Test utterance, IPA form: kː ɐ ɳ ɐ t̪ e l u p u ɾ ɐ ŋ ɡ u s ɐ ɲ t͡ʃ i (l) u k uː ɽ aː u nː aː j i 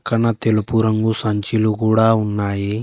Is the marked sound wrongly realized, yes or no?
no